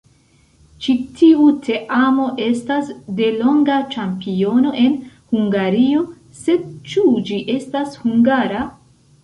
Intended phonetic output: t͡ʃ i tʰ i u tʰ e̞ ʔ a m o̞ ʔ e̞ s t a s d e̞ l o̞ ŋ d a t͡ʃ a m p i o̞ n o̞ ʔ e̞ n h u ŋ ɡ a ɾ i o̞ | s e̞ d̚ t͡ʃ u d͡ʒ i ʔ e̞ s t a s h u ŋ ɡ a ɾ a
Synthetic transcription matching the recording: t͡ʃ i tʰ i u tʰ e̞ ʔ a m o̞ ʔ e̞ s t a s d e̞ l o̞ ŋ ɡ a t͡ʃ a m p i o̞ n o̞ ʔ e̞ n h u ŋ ɡ a ɾ i o̞ | s e̞ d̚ t͡ʃ u d͡ʒ i ʔ e̞ s t a s h u ŋ ɡ a ɾ a